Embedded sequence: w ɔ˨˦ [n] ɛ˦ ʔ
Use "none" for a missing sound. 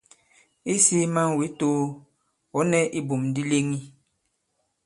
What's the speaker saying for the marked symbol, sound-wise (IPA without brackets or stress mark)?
n